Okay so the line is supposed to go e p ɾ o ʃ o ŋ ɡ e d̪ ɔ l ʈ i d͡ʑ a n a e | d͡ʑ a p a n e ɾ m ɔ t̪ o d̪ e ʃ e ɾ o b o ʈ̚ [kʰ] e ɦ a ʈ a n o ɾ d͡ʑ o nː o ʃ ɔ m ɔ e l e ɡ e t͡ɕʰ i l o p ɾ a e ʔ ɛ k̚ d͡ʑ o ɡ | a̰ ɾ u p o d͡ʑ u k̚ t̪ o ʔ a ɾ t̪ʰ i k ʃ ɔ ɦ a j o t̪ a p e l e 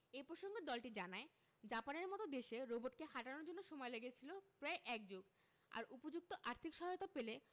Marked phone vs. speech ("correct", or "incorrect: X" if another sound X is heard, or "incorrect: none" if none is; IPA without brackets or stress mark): incorrect: k